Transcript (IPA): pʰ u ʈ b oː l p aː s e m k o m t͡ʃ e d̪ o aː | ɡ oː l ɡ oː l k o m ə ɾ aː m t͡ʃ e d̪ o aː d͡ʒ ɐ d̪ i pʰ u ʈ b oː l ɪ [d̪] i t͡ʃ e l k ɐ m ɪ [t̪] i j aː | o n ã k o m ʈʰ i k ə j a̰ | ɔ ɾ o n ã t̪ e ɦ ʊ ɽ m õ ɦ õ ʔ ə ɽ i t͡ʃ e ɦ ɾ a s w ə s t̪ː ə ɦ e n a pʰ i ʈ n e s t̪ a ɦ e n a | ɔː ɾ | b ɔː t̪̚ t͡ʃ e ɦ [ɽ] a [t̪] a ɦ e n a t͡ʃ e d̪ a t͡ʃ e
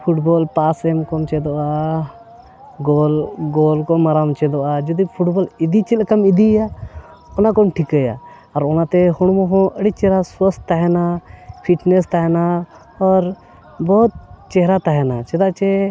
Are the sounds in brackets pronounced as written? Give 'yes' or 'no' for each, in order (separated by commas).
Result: yes, no, no, yes